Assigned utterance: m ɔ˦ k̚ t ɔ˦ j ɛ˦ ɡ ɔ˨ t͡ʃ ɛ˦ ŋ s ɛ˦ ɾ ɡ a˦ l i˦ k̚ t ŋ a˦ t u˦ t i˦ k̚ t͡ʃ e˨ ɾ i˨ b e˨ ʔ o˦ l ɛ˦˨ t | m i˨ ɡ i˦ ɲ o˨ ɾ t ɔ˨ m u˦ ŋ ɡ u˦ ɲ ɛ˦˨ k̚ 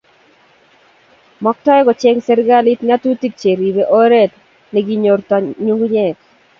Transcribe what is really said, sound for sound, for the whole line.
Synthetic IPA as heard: m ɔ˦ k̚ t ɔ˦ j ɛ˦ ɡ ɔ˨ t͡ʃ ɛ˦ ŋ s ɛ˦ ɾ ɡ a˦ l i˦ t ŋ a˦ t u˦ t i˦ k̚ t͡ʃ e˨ ɾ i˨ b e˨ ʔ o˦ ɾ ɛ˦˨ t | n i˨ ɡ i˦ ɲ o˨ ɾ t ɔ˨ ɲ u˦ ŋ ɡ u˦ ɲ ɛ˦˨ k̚